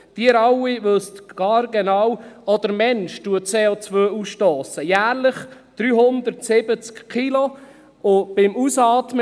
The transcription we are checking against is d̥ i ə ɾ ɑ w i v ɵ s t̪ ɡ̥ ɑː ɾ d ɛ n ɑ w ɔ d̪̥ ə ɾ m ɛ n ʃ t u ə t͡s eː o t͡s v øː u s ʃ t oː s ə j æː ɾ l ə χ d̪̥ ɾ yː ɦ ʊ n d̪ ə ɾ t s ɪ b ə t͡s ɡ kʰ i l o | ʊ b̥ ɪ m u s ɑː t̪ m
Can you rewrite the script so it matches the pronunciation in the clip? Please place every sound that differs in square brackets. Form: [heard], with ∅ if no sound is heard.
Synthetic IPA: d̥ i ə ɾ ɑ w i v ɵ s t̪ ɡ̥ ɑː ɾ [ɡ] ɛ n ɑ w ɔ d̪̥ ə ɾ m ɛ n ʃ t u ə t͡s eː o t͡s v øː u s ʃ t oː s ə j æː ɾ l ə χ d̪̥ ɾ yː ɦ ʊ n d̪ ə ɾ t s ɪ b ə t͡s [k] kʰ i l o | ʊ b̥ ɪ m u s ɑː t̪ m